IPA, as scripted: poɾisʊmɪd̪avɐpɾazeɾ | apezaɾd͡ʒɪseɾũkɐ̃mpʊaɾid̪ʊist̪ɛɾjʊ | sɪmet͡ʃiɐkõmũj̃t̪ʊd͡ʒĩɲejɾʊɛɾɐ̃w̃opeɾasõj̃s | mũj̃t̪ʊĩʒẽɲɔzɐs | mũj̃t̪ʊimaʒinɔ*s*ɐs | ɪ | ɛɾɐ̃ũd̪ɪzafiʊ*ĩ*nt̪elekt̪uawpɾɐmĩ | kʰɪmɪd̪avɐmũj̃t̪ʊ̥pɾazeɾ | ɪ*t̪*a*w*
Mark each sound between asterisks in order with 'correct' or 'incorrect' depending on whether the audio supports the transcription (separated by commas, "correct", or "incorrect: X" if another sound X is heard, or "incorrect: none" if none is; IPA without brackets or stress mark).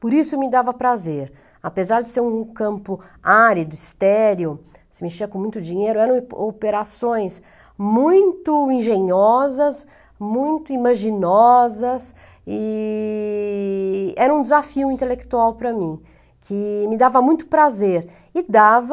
incorrect: z, correct, incorrect: d̪, incorrect: v